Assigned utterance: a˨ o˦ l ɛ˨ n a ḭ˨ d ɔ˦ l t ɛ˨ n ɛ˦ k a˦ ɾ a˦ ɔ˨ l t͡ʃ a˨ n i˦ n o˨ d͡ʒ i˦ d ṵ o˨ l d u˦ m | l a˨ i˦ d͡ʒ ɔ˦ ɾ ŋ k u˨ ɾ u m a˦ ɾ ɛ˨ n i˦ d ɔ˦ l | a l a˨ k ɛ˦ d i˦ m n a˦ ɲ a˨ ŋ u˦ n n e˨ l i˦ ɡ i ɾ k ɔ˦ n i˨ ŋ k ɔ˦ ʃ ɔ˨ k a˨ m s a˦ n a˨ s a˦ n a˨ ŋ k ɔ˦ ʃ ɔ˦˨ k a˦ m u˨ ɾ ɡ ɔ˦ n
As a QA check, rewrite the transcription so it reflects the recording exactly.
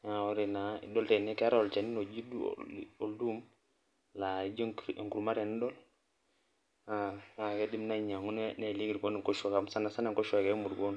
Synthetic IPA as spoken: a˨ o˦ ɾ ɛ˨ n a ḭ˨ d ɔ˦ l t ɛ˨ n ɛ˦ k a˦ ɾ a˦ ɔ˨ l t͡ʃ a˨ n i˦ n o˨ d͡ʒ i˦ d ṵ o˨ l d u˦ m | l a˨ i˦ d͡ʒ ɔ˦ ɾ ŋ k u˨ ɾ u m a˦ ɾ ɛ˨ n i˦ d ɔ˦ l | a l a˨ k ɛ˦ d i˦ m n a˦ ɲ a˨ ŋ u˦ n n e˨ l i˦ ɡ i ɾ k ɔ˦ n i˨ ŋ k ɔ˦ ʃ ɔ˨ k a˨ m s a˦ n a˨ s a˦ n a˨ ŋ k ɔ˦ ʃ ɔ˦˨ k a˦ m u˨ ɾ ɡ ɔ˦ n